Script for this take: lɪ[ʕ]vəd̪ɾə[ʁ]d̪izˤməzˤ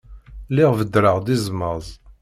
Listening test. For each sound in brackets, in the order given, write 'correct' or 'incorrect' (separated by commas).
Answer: incorrect, correct